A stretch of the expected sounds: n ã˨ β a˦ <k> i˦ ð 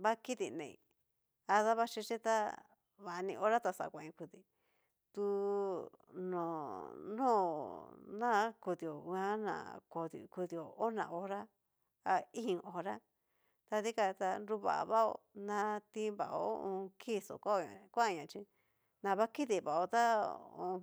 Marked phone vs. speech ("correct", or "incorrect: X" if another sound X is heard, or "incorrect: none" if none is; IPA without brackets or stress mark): correct